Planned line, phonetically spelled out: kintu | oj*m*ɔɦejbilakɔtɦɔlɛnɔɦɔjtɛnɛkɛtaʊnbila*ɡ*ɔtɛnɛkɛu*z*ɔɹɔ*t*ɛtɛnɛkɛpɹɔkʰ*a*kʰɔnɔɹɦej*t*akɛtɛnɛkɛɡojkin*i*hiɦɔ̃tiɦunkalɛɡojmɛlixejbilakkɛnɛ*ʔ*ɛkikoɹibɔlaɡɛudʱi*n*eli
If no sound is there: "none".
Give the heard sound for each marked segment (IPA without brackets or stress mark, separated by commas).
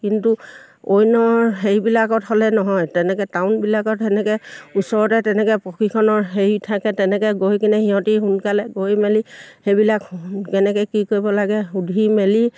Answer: n, k, s, t, i, tʰ, ɛ, k, m